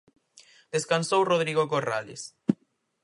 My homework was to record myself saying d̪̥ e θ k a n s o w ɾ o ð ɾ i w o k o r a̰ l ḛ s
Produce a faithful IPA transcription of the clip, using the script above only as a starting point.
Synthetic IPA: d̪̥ e s k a n s o w r o ð ɾ i ɣ o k o r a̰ l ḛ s